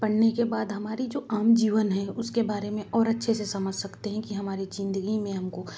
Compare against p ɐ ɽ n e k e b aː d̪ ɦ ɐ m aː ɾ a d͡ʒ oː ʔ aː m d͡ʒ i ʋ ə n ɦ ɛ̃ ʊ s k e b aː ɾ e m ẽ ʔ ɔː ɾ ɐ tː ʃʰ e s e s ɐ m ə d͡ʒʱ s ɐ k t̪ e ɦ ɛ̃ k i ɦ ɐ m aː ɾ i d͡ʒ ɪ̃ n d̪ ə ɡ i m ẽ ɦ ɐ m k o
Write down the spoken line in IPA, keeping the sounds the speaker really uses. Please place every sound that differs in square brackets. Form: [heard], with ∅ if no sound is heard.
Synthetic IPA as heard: p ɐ ɽ n e k e b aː d̪ ɦ ɐ m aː ɾ [i] d͡ʒ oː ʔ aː m d͡ʒ [iː] ʋ ə n ɦ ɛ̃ ʊ s k e b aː ɾ e m ẽ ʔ ɔː ɾ ɐ tː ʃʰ e s e s ɐ m ə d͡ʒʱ s ɐ k t̪ e ɦ ɛ̃ k i ɦ ɐ m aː ɾ i d͡ʒ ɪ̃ n d̪ ə ɡ i m ẽ ɦ ɐ m k o